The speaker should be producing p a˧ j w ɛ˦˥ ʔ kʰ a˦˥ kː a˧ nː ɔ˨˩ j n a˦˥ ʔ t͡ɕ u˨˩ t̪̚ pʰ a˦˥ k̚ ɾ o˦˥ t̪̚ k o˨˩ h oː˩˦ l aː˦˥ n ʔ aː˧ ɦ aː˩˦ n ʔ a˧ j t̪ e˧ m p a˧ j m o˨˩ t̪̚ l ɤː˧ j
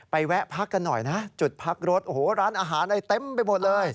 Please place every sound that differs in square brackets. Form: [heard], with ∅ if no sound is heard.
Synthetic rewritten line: p a˧ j w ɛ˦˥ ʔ [pʰ] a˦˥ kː a˧ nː ɔ˨˩ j n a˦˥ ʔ t͡ɕ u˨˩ t̪̚ pʰ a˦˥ k̚ ɾ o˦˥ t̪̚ [ʔ] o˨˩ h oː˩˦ [ɾ] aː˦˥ n ʔ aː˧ ɦ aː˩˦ n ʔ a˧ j t̪ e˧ m p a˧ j m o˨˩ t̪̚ l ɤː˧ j